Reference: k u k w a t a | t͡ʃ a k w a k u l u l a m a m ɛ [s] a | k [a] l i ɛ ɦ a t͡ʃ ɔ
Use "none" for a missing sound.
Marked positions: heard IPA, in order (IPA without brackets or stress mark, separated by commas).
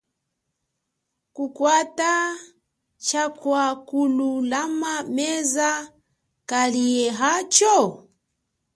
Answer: z, a